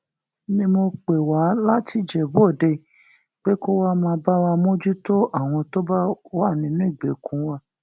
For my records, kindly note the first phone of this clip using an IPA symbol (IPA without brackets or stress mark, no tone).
n